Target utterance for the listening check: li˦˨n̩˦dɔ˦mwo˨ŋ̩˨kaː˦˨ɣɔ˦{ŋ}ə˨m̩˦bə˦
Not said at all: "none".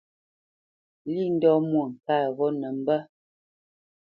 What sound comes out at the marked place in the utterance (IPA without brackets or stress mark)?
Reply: n